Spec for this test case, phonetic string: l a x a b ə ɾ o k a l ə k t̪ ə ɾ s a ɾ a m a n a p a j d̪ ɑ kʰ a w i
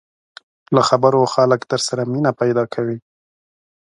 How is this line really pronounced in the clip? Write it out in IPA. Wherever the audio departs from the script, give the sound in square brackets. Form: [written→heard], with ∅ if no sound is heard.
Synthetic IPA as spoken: l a x a b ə ɾ o [k→x] a l ə k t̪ ə ɾ s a ɾ a m [a→i] n a p a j d̪ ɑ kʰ a w i

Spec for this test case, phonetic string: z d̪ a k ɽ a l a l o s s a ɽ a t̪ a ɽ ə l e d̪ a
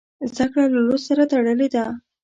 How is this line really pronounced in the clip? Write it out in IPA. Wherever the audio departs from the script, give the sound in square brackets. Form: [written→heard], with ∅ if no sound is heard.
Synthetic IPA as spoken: z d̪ a k ɽ a l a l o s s a [ɽ→ɾ] a t̪ a ɽ ə l e d̪ a

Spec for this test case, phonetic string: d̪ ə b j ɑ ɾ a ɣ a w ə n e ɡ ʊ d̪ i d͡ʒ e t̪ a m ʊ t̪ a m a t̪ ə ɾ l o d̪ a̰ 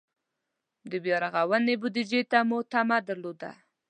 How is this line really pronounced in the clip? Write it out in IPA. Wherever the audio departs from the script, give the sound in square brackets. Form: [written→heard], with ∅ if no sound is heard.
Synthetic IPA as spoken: d̪ ə b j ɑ ɾ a ɣ a w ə n e [ɡ→b] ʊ d̪ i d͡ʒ e t̪ a m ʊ t̪ a m a [t̪→d̪] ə ɾ l o d̪ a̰

